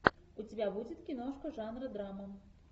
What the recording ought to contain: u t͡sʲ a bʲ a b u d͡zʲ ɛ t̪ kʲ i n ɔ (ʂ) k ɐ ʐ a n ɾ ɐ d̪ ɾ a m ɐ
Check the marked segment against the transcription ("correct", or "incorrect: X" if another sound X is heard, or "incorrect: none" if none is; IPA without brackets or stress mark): correct